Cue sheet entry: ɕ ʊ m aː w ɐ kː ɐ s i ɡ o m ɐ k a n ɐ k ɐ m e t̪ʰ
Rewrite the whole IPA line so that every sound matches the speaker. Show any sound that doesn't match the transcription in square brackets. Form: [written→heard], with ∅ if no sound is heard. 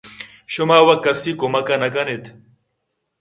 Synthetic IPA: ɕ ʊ m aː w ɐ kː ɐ s i [ɡ→k] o m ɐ k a n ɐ k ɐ [m→n] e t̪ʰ